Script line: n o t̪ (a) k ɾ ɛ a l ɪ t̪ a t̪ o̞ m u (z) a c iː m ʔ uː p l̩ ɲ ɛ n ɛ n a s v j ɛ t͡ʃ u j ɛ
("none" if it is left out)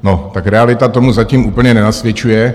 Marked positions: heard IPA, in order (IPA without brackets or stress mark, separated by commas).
a, z